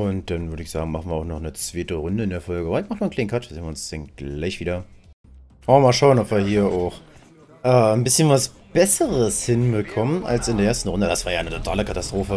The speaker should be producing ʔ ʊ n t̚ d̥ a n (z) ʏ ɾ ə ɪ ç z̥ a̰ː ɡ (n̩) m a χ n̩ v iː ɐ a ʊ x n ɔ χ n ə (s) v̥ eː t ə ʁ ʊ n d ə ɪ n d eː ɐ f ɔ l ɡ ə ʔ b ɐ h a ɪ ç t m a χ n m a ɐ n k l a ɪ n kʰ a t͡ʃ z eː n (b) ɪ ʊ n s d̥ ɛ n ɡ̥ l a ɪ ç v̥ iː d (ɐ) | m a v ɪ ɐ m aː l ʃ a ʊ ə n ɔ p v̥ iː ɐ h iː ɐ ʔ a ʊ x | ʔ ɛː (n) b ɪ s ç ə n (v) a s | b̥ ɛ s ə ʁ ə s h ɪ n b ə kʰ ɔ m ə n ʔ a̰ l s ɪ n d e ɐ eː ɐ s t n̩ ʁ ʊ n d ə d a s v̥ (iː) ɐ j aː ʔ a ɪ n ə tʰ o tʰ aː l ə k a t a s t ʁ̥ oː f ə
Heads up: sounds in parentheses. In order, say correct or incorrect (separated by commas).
incorrect, incorrect, incorrect, incorrect, correct, correct, correct, incorrect